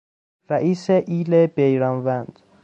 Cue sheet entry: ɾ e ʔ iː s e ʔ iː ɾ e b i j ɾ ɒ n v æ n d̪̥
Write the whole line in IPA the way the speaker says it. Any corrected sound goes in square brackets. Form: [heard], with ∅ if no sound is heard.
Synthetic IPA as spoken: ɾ [æ] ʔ iː s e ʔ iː [l] e b [e] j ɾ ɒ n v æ n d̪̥